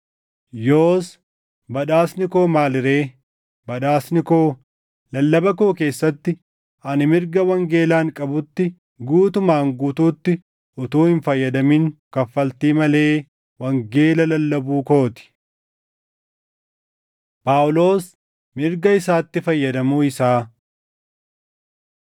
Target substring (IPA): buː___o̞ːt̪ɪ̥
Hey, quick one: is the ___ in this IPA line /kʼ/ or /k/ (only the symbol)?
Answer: k